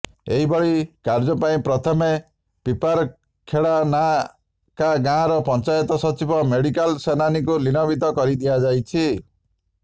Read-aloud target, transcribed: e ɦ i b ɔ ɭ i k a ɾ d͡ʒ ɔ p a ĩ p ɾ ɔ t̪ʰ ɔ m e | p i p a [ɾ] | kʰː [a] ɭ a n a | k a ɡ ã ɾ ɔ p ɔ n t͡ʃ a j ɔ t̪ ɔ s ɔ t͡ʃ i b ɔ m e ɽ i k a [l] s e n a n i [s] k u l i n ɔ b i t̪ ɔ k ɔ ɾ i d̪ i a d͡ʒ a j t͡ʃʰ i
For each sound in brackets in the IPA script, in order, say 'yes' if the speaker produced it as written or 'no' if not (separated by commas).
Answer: yes, no, yes, no